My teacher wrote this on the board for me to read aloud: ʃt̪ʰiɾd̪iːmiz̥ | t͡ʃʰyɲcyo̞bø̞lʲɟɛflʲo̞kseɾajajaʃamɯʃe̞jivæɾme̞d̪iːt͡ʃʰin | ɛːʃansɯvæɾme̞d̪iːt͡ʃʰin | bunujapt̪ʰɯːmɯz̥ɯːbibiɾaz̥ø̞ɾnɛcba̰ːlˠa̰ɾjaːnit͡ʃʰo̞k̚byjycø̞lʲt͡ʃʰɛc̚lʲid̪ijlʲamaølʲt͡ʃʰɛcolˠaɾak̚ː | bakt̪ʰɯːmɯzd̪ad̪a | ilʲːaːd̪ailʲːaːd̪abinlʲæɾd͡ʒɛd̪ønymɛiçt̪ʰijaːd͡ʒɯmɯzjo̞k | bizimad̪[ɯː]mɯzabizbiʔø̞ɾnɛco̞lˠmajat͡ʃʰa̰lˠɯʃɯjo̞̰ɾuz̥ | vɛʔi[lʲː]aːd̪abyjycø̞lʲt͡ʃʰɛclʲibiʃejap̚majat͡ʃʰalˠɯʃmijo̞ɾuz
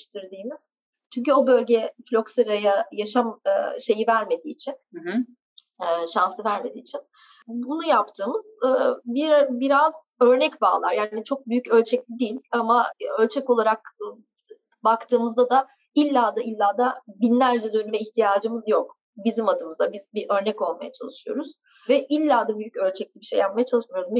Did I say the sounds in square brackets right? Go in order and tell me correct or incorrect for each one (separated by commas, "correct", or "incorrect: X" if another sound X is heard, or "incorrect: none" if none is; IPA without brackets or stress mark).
incorrect: ɯ, correct